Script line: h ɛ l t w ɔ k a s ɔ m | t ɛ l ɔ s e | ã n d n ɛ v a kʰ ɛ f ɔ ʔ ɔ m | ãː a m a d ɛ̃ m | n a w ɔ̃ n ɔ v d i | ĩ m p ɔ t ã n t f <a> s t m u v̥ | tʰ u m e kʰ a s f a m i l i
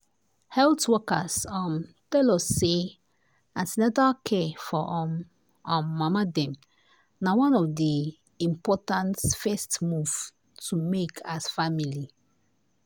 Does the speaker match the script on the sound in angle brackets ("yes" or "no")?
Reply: no